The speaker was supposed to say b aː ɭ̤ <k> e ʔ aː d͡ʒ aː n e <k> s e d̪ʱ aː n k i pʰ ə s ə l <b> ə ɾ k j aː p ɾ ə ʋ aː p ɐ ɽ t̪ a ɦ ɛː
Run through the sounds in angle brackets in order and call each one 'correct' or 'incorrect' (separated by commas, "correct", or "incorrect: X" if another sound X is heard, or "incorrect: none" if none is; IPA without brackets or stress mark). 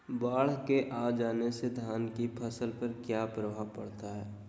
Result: correct, incorrect: none, incorrect: p